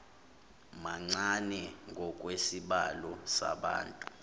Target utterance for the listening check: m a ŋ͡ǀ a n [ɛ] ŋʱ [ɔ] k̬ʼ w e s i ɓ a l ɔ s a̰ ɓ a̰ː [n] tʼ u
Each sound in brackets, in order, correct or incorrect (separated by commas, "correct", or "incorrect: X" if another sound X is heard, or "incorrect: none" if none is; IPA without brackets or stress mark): correct, correct, correct